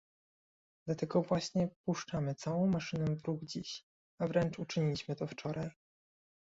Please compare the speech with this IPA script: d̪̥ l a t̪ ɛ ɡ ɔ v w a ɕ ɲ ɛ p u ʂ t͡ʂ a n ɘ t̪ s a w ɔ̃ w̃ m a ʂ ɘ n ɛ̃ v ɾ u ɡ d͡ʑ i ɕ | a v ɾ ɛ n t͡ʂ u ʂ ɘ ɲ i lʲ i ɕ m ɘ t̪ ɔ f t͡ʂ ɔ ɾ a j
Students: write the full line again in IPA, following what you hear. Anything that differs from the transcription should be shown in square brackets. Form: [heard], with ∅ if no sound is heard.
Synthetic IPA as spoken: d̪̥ l a t̪ ɛ ɡ ɔ v w a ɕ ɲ ɛ p u ʂ t͡ʂ a [m] ɘ t̪ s a w ɔ̃ w̃ m a ʂ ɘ n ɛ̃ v ɾ u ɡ d͡ʑ i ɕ | a v ɾ ɛ n t͡ʂ u [t͡ʂ] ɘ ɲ i lʲ i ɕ m ɘ t̪ ɔ f t͡ʂ ɔ ɾ a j